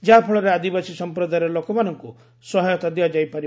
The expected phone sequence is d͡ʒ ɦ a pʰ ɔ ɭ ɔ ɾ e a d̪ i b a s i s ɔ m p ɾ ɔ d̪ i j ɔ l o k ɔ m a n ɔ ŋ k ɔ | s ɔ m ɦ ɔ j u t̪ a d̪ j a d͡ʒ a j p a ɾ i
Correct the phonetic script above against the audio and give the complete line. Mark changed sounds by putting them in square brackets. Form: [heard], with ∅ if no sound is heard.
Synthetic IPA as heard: d͡ʒ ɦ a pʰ ɔ ɭ ɔ ɾ e a d̪ i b a s i s ɔ m p ɾ ɔ d̪ [a] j ɔ l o k ɔ m a n ɔ ŋ k [u] | s ɔ [∅] ɦ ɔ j [ɔ] t̪ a d̪ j a d͡ʒ a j p a ɾ i